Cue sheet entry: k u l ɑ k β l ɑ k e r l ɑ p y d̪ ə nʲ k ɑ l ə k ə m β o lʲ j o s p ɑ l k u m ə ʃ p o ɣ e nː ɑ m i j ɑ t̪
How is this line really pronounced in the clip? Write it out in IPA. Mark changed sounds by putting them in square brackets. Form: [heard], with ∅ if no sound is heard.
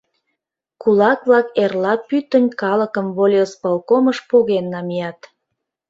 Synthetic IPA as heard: k u l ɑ k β l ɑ k e r l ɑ p y [t̪] ə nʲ k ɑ l ə k ə m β o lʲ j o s p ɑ l k [o] m ə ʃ p o ɣ e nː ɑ m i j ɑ t̪